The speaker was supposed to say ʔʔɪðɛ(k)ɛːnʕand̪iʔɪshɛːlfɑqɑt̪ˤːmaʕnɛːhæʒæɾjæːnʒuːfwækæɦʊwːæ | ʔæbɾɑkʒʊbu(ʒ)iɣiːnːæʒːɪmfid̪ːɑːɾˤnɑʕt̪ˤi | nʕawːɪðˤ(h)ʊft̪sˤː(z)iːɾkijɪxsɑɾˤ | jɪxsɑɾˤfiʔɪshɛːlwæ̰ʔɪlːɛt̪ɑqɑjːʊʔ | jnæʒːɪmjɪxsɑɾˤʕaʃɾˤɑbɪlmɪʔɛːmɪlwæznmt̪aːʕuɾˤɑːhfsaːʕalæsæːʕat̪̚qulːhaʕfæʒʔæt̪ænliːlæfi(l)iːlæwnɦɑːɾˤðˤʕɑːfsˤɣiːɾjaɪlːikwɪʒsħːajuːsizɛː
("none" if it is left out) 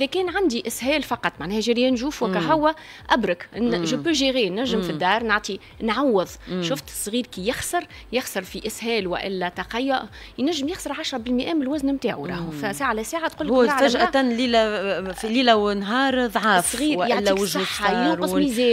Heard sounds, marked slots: k, ʒ, ʃ, ɣ, l

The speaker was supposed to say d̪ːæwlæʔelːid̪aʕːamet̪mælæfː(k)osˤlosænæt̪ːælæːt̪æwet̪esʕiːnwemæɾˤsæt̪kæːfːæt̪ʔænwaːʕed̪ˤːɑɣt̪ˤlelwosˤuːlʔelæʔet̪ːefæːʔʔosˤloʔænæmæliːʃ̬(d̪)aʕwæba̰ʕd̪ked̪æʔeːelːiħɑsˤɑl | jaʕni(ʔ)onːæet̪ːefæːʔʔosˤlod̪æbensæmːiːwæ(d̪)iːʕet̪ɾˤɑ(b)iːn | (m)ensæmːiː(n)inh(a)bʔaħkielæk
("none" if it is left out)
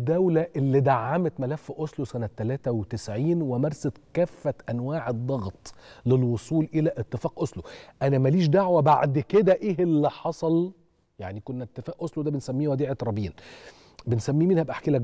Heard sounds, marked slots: ʔ, d̪, k, d̪, b, b, m, æ

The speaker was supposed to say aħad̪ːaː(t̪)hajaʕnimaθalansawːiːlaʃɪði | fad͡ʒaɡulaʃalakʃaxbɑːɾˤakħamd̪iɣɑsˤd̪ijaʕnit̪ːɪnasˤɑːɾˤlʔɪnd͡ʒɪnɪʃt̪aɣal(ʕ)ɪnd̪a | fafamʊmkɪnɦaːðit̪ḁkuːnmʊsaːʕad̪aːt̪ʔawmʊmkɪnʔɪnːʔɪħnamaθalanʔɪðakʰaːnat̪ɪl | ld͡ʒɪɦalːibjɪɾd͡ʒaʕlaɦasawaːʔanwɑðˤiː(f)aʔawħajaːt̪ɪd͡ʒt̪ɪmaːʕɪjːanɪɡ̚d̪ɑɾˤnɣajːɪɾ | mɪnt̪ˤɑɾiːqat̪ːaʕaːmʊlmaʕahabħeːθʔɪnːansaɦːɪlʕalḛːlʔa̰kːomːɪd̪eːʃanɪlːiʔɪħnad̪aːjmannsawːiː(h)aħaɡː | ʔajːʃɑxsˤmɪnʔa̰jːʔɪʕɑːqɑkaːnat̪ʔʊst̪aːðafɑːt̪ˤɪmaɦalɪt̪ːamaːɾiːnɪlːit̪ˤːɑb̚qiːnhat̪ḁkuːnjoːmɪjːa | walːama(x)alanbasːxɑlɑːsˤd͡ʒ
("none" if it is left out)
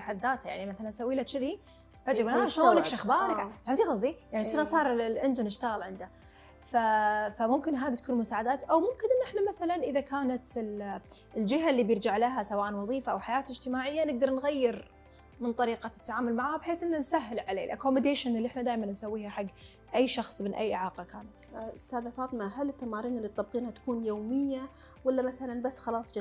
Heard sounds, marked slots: t̪, ʕ, f, h, θ

